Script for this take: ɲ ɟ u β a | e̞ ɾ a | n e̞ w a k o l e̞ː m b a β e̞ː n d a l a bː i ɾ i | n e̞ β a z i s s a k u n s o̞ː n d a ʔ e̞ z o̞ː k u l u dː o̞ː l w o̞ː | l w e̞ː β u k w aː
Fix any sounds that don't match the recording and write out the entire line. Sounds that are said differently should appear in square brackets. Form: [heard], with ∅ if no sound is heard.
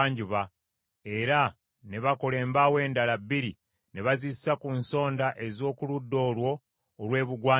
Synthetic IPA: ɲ ɟ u β a | e̞ ɾ a | n e̞ [β] a k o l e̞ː m b a [w] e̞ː n d a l a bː i ɾ i | n e̞ β a z i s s a k u n s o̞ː n d a ʔ e̞ z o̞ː k u l u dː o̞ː l w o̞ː | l w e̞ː β u [ɡ] w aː